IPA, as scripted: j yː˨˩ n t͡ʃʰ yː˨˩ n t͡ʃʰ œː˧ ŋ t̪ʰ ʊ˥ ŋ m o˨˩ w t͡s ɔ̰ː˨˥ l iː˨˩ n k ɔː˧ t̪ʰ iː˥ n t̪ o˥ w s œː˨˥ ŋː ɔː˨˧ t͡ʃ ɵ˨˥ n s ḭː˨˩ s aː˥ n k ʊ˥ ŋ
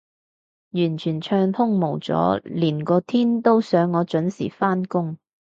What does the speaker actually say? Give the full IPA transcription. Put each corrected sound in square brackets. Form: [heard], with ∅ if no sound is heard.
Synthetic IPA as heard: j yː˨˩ n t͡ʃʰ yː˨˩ n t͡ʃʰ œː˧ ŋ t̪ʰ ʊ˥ ŋ m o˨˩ w t͡s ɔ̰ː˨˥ l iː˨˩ n k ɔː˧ t̪ʰ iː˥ n t̪ o˥ w s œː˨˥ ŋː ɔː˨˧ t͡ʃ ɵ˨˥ n s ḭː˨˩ [f] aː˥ n k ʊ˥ ŋ